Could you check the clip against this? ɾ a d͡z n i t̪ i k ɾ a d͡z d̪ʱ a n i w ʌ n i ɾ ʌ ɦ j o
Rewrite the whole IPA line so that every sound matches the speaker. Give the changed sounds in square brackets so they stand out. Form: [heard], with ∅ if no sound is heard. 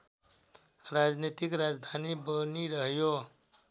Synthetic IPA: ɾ a d͡z n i t̪ i k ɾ a d͡z d̪ʱ a n i [b] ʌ n i ɾ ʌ ɦ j o

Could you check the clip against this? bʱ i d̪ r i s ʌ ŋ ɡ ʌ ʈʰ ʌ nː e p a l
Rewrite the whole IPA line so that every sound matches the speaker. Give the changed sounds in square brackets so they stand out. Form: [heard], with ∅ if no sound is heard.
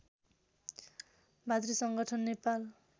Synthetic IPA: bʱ [a] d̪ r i s ʌ ŋ ɡ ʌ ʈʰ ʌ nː e p a l

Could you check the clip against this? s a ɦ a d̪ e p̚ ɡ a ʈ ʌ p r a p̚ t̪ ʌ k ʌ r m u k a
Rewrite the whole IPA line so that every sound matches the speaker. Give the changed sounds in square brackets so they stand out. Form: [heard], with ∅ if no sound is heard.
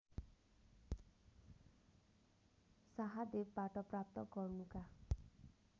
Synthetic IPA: s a ɦ a d̪ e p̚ [b] a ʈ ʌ p r a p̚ t̪ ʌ [ɡ] ʌ r [n] u k a

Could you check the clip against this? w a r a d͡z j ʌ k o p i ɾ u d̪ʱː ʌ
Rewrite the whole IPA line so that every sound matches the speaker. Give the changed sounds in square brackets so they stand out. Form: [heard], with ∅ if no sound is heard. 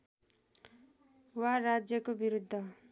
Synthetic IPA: w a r a d͡z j ʌ k o [b] i ɾ u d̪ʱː ʌ

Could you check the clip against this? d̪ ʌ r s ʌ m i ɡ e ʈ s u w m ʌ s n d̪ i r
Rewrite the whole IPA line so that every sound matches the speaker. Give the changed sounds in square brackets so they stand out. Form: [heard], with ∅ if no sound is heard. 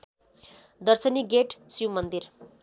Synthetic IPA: d̪ ʌ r s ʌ [n] i ɡ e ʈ s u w m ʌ [∅] n d̪ i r

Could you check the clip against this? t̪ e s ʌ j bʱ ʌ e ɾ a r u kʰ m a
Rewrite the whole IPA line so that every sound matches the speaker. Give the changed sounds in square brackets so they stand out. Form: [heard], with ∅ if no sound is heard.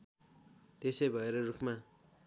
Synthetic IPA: t̪ e s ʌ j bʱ ʌ e ɾ [ʌ] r u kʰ m a

